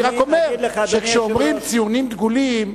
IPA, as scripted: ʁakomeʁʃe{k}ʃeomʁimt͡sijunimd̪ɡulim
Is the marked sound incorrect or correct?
correct